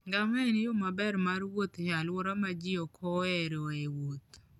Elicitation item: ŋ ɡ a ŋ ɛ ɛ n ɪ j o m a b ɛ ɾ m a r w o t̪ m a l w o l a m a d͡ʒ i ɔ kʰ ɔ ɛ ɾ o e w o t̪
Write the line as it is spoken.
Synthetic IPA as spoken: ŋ ɡ a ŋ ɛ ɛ n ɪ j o m a b ɛ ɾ m a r w o t̪ ɲ a l w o ɾ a m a d͡ʒ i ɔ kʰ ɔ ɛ ɾ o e w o t̪

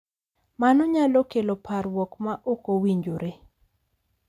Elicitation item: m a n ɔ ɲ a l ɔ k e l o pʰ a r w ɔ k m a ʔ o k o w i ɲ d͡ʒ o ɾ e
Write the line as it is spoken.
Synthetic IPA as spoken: m a n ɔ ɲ a l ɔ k e l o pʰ a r w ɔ k m a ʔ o k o w i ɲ d͡ʒ o ɾ e

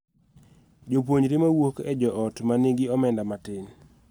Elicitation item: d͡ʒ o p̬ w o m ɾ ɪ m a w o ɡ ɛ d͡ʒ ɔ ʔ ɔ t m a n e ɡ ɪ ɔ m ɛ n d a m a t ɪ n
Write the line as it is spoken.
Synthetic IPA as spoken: d͡ʒ o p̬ w o ɲ ɾ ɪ m a w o k ɛ d͡ʒ ɔ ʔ ɔ t m a n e ɡ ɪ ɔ m ɛ n d a m a t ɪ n

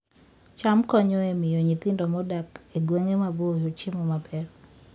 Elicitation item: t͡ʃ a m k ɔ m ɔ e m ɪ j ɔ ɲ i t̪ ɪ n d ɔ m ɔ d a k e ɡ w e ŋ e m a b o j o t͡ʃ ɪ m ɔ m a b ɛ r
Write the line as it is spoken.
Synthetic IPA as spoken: t͡ʃ a m k ɔ ɲ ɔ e m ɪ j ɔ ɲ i t̪ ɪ n d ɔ m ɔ d a k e ɡ w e ŋ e m a b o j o t͡ʃ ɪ m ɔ m a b ɛ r

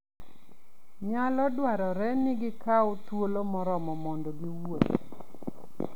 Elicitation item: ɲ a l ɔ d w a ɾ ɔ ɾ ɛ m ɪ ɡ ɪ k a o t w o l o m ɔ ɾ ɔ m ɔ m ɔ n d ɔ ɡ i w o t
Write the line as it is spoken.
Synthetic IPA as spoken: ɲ a l ɔ d w a ɾ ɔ ɾ ɛ n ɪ ɡ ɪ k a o t w o l o m ɔ ɾ ɔ m ɔ m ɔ n d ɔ ɡ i w o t

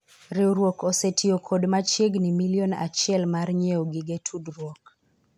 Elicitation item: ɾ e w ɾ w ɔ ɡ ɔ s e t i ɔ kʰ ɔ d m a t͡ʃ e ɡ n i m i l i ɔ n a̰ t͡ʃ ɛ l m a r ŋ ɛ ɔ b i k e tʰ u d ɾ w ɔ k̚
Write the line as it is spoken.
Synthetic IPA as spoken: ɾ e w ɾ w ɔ k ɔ s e t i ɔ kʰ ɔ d m a t͡ʃ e ɡ n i m i l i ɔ n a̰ t͡ʃ ɛ l m a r ɲ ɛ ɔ ɡ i ɡ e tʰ u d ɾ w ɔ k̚

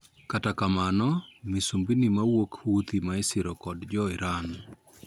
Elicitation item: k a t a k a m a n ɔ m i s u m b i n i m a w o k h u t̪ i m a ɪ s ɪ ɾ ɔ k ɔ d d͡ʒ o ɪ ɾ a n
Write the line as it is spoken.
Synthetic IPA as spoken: k a t a k a m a n ɔ m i s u m b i n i m a w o k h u t̪ i m a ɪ s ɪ ɾ ɔ k ɔ d d͡ʒ ɔ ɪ ɾ a n

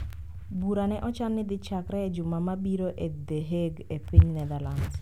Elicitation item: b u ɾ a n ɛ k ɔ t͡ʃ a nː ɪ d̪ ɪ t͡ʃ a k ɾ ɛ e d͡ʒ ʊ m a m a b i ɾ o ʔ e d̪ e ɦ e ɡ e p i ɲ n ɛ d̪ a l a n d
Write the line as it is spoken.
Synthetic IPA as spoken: b u ɾ a n ɛ ʔ ɔ t͡ʃ a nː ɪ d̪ ɪ t͡ʃ a k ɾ ɛ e d͡ʒ ʊ m a m a b i ɾ o ʔ e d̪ e ɦ e ɡ e p i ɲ n ɛ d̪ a l a n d

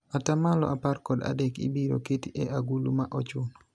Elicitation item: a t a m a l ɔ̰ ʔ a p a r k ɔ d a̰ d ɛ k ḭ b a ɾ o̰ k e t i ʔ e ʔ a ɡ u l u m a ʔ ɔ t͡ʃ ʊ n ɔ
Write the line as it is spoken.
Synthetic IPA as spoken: a t a m a l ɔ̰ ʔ a p a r k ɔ d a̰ d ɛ k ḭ b i ɾ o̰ k e t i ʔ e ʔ a ɡ u l u m a ʔ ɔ t͡ʃ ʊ n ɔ

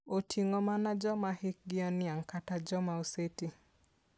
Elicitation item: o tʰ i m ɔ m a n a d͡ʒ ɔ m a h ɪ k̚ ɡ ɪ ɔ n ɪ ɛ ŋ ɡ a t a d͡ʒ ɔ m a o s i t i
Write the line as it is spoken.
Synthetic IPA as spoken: o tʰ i ŋ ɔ m a n a d͡ʒ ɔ m a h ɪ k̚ ɡ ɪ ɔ n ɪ a ŋ k a t a d͡ʒ ɔ m a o s e t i

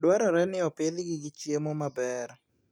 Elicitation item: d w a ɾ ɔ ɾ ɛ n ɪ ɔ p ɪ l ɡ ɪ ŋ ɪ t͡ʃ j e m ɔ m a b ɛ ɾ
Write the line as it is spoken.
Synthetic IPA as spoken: d w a ɾ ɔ ɾ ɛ n ɪ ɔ p ɪ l ɡ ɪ ɡ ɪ t͡ʃ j e m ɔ m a b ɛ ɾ

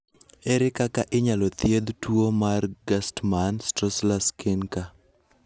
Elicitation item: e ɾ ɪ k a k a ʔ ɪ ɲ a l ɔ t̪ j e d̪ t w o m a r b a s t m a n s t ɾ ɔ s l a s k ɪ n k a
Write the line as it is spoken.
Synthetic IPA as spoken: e ɾ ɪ k a k a ʔ ɪ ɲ a l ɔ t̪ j e d̪ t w o m a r ɡ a s t m a n s t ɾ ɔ s l a s k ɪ n k a

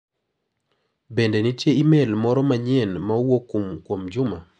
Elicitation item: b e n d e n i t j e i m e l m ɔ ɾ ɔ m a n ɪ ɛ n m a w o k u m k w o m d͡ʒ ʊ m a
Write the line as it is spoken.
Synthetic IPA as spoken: b e n d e n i t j e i m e l m ɔ ɾ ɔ m a ɲ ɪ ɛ n m a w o k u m k w o m d͡ʒ ʊ m a

